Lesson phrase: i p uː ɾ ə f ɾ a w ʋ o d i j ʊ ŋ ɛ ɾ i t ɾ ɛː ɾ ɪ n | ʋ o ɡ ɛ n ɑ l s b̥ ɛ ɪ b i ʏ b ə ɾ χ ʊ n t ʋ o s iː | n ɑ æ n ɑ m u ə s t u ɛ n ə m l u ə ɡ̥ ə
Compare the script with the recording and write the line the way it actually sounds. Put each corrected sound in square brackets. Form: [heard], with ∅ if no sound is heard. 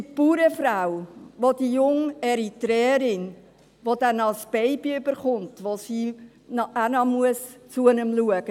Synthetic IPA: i p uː ɾ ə f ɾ a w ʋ o d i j ʊ ŋ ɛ ɾ i t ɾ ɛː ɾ ɪ n | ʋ o [d] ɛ n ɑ l s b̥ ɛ ɪ b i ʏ b ə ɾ χ ʊ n t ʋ o s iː | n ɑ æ n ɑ m u ə s [t͡s] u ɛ n ə m l u ə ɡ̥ ə

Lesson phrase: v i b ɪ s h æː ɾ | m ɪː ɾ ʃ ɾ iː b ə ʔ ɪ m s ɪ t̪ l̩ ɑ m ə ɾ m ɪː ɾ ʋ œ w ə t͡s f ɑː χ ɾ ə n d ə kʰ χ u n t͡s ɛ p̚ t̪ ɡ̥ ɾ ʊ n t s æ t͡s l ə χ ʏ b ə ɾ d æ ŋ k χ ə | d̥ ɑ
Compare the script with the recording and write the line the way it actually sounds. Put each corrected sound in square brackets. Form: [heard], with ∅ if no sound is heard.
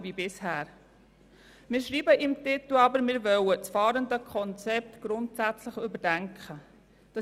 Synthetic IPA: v i b ɪ s h æː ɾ | m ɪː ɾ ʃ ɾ iː b ə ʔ ɪ m [t] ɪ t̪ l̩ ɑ [b] ə ɾ m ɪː ɾ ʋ œ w ə t͡s f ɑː [∅] ɾ ə n d ə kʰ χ [ɔ] n t͡s ɛ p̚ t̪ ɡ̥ ɾ ʊ n t s æ t͡s l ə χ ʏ b ə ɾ d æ ŋ k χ ə | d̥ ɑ

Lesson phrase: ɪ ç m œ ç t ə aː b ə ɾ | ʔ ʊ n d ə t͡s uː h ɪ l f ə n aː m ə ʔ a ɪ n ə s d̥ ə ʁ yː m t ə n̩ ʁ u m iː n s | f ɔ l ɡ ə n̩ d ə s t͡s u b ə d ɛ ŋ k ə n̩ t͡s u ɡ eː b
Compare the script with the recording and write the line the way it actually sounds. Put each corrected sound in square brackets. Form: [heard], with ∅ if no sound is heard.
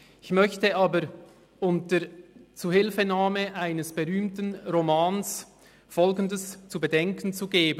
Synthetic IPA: ɪ ç m œ ç t ə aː b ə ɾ | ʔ ʊ n [t] ə t͡s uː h ɪ l f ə n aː m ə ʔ a ɪ n ə s [b̥] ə ʁ yː m t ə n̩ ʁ [o] m [aː] n s | f ɔ l ɡ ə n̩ d ə s t͡s u b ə d ɛ ŋ k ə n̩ t͡s u ɡ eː b

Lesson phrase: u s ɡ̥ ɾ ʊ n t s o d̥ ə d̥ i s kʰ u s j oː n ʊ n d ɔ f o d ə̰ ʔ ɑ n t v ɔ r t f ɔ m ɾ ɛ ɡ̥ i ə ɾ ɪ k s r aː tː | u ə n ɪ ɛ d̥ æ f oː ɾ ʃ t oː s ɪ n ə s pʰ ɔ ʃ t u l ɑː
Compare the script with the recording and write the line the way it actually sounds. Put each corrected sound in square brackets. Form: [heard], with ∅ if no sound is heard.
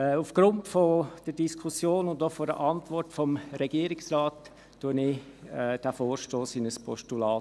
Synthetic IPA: u [f] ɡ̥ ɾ ʊ n t [f] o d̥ ə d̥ i s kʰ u s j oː n ʊ n d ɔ f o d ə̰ ʔ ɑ n t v ɔ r t f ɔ m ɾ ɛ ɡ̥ i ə ɾ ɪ k s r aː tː | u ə n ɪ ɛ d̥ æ f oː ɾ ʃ t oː s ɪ n ə s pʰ ɔ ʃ t u l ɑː

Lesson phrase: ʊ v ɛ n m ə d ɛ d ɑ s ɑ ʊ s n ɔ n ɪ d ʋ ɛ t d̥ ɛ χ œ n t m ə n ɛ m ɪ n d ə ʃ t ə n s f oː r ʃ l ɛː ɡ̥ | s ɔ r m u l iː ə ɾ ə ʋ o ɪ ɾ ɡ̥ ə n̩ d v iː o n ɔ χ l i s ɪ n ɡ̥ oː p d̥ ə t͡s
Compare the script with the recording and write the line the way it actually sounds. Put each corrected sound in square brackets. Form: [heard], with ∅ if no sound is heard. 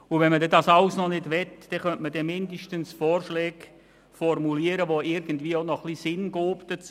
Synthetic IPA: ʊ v ɛ n m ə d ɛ d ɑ s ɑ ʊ s n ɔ n ɪ d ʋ ɛ t d̥ ɛ χ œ n t m ə [d] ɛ m ɪ n d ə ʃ t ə n s f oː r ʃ l ɛː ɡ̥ | [f] ɔ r m u l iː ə ɾ ə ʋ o ɪ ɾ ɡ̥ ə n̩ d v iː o n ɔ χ l i s ɪ n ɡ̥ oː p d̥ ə t͡s

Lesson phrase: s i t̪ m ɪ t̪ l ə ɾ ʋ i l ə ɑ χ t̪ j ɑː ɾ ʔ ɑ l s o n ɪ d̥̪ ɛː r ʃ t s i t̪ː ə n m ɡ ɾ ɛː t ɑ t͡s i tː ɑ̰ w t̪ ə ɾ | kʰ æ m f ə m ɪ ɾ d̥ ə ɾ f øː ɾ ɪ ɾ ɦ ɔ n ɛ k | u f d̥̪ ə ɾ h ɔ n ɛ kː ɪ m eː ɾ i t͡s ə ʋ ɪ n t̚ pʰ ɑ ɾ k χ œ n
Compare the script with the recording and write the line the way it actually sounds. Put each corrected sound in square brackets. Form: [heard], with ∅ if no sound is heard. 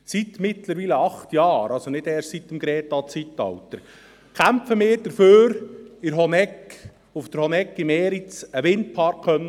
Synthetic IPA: s i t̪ m ɪ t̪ l ə ɾ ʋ i l ə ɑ χ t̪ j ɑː ɾ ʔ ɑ l s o n ɪ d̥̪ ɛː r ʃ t s i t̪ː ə [∅] m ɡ ɾ ɛː t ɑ t͡s i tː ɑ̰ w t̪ ə ɾ | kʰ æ m f ə m [ɪː] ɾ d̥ ə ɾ f øː ɾ ɪ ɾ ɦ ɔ n ɛ k | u f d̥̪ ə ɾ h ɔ n ɛ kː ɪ m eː ɾ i t͡s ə ʋ ɪ n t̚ pʰ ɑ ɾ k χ œ n

